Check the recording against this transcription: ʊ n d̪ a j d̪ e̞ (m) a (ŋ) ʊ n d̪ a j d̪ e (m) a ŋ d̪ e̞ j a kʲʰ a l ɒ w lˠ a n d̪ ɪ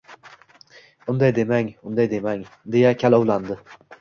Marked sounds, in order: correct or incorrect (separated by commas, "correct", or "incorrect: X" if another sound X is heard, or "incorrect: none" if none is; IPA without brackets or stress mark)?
correct, correct, correct